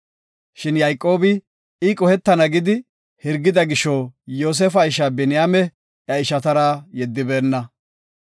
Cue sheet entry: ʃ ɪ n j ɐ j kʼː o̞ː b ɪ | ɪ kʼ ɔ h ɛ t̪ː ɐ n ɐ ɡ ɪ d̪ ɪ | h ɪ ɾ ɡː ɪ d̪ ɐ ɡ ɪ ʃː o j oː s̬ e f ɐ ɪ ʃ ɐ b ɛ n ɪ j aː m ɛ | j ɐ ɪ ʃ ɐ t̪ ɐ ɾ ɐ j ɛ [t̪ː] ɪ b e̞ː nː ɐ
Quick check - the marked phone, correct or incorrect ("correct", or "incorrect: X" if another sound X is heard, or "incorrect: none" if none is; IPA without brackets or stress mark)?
incorrect: d̪ː